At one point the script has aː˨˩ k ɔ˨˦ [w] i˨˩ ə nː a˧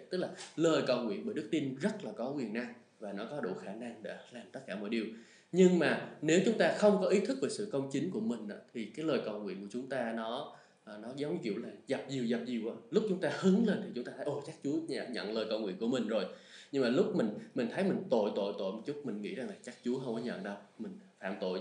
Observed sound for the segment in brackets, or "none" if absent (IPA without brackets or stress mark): w